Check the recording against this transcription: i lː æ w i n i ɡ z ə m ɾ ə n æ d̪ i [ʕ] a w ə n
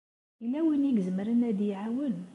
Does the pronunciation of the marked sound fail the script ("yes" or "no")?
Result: no